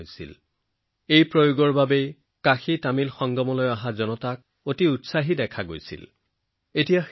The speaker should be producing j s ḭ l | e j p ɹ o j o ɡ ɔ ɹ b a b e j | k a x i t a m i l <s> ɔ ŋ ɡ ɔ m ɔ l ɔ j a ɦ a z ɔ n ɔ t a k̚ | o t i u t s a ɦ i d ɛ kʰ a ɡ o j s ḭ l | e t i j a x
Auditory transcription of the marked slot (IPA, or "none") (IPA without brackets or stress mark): x